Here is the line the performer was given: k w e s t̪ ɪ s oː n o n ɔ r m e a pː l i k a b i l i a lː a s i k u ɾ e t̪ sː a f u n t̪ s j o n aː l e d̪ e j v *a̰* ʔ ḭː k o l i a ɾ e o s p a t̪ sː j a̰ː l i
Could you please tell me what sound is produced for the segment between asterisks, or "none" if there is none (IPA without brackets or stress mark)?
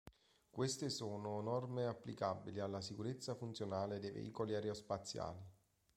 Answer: ḛ